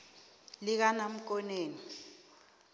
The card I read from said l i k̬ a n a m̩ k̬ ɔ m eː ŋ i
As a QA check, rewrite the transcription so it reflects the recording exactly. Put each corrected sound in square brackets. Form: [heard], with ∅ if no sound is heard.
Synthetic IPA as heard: l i k̬ a n a m̩ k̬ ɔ [n] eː [n] i